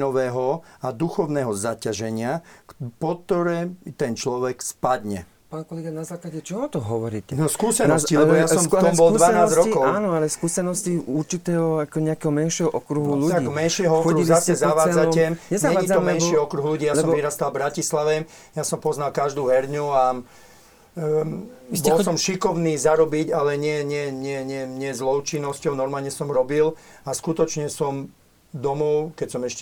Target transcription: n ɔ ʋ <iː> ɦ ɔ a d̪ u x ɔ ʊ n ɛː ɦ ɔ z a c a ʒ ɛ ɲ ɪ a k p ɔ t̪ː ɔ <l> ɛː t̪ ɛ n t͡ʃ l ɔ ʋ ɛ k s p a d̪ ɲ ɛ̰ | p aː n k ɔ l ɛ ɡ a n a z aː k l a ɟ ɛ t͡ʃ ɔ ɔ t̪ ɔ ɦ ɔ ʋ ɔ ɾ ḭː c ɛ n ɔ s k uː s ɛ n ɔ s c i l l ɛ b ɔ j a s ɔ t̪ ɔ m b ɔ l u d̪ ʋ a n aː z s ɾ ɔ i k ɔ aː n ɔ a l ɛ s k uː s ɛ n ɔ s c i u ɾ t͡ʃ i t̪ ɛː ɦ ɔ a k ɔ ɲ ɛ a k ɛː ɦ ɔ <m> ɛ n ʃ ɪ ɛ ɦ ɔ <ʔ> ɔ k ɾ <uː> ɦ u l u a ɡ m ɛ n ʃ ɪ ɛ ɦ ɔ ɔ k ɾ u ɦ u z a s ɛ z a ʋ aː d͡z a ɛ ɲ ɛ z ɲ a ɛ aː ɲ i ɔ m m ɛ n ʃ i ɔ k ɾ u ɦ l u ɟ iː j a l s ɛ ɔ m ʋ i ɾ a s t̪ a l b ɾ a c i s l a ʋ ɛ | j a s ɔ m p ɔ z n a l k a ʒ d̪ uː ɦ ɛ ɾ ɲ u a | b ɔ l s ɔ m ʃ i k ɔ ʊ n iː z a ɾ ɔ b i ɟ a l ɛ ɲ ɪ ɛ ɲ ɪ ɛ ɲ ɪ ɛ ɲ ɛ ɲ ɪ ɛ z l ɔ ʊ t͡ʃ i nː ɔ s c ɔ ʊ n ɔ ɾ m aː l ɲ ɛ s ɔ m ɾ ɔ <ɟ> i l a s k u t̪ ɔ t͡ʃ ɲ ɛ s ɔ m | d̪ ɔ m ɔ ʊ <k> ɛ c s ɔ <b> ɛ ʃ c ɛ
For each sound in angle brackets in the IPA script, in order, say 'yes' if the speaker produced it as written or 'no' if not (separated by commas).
no, no, yes, yes, no, no, yes, no